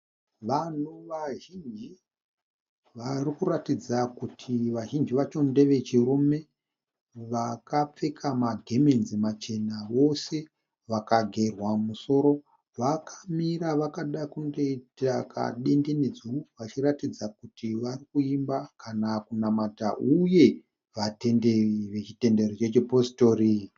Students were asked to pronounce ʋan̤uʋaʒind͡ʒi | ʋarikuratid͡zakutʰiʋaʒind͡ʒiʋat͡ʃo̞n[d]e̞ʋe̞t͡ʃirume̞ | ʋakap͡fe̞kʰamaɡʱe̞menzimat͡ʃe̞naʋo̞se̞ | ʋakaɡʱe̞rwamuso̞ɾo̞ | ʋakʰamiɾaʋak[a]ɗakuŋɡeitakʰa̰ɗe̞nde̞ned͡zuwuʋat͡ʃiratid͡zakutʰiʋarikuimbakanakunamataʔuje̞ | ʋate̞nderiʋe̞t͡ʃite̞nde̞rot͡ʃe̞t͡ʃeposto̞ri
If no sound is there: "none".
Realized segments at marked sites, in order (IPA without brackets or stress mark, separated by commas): d, a